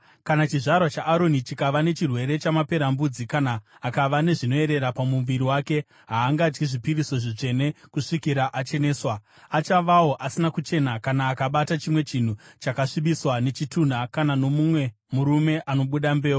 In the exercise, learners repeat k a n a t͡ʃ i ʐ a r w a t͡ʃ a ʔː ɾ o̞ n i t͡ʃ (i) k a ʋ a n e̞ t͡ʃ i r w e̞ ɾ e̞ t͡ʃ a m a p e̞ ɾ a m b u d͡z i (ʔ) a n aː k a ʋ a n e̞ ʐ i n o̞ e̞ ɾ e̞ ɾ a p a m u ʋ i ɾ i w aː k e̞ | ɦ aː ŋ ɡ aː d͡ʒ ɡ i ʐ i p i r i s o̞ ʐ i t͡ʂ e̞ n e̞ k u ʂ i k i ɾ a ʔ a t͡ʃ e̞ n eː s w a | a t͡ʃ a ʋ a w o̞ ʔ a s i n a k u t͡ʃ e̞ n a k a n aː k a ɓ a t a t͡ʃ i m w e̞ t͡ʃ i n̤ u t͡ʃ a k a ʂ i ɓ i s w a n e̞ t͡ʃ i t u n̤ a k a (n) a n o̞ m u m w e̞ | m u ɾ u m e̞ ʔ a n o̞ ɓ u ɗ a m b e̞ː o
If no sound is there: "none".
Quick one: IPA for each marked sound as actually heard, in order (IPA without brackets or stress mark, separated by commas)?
i, k, n